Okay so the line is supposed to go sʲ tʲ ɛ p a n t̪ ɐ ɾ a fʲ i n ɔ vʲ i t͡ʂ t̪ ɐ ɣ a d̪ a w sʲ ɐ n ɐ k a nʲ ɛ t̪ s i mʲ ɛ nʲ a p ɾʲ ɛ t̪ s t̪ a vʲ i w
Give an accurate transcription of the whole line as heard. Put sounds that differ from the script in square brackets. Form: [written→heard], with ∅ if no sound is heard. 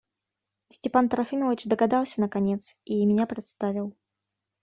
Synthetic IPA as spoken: sʲ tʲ ɛ p a n t̪ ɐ ɾ a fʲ i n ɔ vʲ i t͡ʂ [t̪→d̪] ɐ ɣ a d̪ a w sʲ ɐ n ɐ k a nʲ ɛ t̪ s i mʲ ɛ nʲ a p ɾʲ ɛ t̪ s t̪ a vʲ i w